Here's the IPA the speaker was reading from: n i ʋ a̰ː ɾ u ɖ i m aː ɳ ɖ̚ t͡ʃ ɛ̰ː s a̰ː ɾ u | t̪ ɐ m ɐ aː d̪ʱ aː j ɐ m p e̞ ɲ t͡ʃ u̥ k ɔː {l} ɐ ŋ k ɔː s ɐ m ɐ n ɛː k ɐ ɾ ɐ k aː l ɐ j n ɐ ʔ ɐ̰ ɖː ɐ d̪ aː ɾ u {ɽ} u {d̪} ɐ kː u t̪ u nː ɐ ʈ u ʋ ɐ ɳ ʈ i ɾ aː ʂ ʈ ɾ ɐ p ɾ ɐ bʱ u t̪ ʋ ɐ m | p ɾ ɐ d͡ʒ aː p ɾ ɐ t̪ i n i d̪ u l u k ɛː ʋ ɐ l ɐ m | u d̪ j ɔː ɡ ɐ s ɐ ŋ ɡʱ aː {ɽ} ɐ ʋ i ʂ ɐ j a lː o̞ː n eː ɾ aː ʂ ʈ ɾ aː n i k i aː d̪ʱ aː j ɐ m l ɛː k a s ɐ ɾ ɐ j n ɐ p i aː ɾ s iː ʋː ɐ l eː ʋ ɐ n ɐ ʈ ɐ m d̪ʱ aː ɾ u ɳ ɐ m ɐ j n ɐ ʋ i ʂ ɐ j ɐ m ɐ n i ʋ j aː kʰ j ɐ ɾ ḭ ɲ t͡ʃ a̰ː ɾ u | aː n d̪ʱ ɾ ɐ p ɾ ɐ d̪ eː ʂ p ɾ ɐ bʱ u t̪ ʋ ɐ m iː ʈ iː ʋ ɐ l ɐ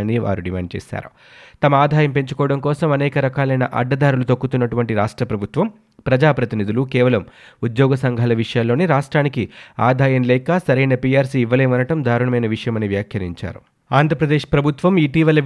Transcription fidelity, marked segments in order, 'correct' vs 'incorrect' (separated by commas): incorrect, incorrect, incorrect, incorrect